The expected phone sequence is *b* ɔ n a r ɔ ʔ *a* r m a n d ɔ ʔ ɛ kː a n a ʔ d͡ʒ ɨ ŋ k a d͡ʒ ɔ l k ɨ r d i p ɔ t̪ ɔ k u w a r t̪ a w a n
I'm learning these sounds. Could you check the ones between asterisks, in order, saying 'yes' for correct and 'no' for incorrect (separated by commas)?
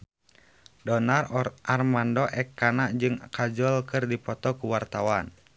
no, yes